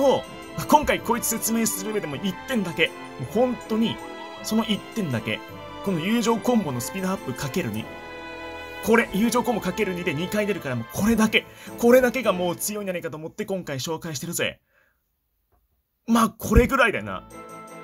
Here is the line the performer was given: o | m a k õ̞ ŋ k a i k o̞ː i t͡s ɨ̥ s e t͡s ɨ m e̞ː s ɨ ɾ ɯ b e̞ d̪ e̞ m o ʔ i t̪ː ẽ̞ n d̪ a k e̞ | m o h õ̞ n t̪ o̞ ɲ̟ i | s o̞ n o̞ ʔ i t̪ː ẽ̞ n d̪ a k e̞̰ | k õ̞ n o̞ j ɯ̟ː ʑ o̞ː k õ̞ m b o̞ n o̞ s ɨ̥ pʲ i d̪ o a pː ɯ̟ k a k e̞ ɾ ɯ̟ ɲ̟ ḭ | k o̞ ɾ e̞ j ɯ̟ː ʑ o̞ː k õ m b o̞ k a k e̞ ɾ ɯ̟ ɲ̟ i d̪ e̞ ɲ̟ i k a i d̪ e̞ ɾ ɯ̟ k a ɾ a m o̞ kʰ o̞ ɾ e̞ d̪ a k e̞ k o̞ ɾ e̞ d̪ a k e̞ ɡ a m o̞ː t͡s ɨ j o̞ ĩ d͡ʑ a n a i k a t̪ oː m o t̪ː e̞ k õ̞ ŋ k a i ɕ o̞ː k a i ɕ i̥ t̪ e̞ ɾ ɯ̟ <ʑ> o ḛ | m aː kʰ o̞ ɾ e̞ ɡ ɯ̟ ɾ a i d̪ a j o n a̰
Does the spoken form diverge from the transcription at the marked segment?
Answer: yes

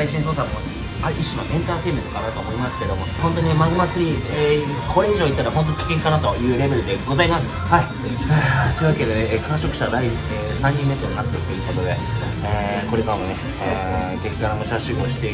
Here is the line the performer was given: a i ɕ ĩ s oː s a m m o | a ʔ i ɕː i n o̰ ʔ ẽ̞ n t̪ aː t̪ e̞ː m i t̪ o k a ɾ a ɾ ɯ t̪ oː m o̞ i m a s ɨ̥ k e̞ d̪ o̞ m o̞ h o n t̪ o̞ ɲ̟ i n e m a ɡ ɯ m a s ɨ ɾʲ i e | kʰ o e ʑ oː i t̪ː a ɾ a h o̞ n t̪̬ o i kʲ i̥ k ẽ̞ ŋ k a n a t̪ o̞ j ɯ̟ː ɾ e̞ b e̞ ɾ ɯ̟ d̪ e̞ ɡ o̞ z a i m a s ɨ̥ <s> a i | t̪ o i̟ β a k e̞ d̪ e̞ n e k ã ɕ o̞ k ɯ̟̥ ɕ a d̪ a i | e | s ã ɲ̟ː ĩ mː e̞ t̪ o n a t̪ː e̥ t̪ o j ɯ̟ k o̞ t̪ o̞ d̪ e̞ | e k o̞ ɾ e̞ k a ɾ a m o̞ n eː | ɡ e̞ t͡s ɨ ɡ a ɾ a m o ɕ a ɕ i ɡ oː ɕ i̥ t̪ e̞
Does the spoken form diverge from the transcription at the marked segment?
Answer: yes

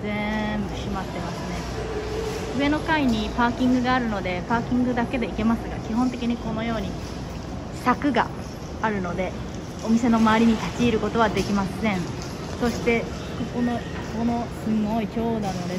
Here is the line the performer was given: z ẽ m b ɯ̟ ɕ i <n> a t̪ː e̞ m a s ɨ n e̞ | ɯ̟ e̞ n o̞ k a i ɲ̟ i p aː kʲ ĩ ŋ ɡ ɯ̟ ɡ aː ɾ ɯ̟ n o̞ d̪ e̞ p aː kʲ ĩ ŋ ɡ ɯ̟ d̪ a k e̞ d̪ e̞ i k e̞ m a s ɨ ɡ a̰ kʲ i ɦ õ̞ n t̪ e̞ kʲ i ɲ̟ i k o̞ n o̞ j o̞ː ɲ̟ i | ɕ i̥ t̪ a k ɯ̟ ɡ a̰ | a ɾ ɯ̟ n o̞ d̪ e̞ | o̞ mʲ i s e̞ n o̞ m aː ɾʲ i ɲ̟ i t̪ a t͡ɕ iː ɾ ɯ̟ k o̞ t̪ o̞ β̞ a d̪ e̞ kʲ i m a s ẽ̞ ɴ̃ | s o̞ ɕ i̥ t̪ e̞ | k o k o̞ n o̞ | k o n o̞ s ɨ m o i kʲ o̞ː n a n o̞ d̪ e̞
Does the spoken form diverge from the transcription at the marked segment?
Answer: yes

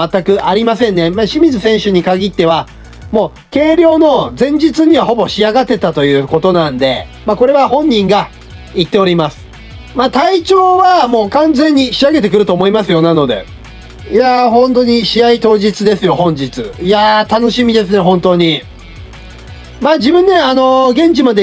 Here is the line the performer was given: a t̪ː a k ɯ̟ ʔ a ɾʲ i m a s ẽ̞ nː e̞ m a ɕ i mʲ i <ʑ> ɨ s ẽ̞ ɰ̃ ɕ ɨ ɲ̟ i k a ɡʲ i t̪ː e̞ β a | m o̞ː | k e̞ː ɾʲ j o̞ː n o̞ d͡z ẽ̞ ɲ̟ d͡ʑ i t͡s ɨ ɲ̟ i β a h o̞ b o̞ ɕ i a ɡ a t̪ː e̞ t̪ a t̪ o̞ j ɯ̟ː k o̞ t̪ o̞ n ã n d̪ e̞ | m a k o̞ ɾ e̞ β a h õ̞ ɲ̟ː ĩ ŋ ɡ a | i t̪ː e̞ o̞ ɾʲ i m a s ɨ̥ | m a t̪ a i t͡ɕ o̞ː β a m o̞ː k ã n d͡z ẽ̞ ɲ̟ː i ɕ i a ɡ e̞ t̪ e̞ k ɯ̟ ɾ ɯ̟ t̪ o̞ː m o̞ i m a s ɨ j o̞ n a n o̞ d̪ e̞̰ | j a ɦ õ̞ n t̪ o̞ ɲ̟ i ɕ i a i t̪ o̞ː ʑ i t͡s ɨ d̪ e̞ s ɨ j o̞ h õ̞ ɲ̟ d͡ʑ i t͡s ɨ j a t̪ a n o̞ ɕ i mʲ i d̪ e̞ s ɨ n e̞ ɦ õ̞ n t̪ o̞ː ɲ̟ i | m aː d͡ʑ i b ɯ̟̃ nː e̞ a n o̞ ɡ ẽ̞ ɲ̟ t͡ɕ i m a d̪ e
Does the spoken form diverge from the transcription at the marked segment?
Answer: yes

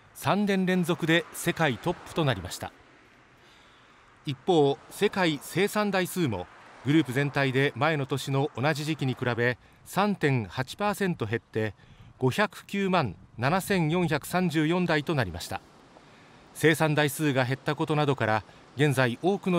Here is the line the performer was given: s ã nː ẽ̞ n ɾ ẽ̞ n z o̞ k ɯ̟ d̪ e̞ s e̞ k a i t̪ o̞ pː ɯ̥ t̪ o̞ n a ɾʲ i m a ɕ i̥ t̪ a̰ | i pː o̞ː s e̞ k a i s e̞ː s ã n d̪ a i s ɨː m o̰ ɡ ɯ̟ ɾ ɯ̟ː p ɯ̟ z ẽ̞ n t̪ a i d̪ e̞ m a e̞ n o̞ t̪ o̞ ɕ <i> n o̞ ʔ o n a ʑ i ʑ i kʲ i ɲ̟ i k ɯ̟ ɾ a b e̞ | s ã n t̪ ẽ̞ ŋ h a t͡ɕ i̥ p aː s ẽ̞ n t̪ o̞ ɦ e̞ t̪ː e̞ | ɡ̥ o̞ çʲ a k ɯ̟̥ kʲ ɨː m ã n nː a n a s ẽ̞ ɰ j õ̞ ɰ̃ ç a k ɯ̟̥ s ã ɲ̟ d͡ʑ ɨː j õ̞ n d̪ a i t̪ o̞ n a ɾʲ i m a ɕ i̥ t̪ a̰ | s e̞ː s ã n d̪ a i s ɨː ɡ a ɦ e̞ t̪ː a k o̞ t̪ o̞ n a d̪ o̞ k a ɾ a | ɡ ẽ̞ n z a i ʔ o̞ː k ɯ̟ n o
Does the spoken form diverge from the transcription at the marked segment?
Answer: no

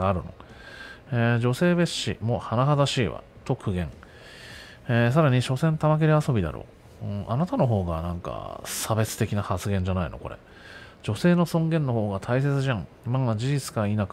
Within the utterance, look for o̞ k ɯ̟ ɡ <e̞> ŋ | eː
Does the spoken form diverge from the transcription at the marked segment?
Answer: yes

